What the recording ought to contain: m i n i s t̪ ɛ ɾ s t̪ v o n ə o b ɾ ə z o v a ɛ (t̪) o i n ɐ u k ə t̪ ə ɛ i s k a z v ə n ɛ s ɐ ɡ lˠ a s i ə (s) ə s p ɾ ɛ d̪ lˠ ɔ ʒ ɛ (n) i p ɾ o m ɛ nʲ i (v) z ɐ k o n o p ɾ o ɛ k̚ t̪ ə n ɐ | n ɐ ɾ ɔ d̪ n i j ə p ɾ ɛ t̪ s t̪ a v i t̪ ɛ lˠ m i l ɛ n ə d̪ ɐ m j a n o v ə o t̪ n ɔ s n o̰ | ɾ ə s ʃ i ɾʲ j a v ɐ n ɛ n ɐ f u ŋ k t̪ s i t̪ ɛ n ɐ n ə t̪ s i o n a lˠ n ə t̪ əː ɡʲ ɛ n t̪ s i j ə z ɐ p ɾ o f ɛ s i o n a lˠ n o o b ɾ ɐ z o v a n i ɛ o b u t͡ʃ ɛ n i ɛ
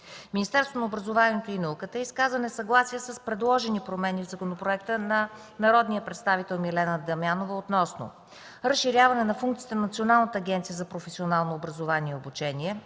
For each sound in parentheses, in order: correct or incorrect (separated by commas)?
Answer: correct, correct, correct, correct